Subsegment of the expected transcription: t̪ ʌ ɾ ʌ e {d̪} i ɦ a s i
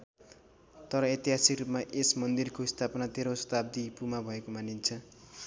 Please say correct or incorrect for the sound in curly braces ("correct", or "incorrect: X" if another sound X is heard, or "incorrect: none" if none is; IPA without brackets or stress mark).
incorrect: t̪